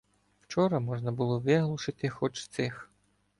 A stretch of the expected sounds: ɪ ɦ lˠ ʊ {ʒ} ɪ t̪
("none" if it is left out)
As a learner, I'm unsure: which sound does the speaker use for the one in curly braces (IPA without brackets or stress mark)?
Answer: ʃ